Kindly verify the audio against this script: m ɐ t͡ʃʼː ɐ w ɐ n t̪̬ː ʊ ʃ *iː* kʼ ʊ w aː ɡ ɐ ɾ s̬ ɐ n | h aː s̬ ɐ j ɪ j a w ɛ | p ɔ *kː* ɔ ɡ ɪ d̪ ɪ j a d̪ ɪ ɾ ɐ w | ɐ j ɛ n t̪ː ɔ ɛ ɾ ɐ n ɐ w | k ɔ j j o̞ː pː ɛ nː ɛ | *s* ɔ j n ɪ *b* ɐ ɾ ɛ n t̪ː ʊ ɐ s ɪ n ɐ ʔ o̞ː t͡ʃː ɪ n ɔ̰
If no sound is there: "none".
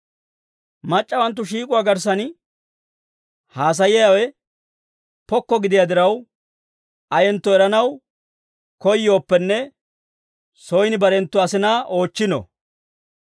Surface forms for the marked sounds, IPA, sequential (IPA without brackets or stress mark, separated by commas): iː, kː, s, b